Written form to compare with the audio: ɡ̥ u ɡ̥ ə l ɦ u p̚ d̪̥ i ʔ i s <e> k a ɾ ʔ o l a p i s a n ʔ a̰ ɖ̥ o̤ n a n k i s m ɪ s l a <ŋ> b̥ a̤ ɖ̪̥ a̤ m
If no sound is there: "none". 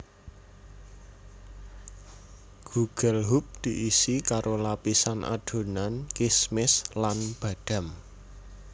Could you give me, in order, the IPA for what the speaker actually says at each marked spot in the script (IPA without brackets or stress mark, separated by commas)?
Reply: i, n